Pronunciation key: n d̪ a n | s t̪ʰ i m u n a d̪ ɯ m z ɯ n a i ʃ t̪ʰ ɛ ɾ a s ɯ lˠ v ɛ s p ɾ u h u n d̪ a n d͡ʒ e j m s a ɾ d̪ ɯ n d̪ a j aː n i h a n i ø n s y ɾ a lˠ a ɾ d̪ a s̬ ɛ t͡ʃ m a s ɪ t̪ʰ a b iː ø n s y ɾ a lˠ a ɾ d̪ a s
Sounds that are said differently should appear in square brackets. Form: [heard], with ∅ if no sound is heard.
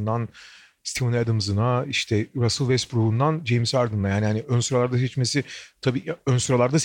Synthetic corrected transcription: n d̪ a n | s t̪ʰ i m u n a d̪ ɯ m z ɯ n a i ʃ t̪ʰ ɛ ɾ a s ɯ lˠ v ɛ s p ɾ u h u n d̪ a n d͡ʒ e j m s a ɾ d̪ ɯ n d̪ a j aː n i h a n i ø n s y ɾ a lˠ a ɾ d̪ a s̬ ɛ t͡ʃ m [e] s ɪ t̪ʰ a b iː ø n s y ɾ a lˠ a ɾ d̪ a s